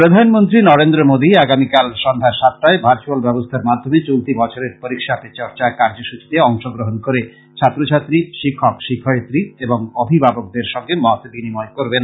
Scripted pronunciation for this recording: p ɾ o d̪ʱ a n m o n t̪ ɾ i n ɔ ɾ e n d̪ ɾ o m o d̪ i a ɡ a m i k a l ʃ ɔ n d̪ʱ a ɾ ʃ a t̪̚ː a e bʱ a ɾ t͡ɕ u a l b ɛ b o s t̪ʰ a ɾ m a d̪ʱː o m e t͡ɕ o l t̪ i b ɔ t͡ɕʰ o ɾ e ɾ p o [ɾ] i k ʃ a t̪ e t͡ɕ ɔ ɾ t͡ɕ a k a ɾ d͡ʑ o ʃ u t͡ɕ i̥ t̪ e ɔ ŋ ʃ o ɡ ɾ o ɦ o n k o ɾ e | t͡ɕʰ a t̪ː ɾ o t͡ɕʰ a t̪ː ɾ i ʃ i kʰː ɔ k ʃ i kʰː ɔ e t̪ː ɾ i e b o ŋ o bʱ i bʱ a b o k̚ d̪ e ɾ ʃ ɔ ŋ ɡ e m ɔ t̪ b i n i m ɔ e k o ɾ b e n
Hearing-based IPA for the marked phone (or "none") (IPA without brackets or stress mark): ɾ